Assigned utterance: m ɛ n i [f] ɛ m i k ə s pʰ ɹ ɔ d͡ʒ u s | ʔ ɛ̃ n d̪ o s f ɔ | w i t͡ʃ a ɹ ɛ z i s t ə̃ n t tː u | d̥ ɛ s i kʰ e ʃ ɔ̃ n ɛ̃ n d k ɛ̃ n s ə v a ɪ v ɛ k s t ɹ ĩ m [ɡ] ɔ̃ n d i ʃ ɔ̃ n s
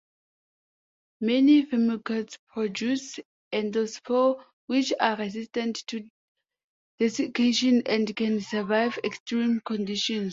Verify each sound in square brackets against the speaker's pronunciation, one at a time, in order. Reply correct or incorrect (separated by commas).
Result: correct, incorrect